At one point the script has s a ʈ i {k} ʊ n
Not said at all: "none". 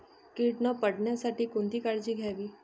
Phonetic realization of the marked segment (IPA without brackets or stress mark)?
k